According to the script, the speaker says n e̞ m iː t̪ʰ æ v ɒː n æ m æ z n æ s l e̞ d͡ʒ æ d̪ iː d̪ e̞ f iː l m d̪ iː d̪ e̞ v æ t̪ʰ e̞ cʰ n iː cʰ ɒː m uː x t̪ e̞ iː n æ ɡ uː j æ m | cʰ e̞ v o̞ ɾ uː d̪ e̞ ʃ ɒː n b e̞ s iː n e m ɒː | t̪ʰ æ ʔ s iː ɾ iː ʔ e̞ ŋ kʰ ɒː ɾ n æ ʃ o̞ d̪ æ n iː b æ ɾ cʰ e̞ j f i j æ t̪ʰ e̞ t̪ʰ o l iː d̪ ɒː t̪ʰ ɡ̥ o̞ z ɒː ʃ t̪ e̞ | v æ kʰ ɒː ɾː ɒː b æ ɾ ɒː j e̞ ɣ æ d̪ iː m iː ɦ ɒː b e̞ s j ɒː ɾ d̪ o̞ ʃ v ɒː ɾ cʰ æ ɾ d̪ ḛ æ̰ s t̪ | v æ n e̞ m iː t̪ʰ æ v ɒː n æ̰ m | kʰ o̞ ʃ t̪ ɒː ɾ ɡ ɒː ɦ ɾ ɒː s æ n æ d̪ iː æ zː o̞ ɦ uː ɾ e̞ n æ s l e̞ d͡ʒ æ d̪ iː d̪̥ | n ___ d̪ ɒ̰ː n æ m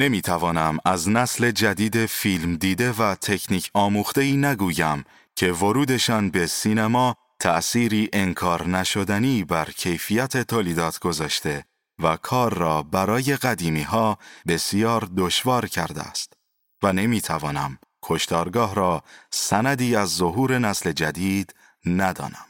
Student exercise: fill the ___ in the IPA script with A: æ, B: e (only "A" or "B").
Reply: A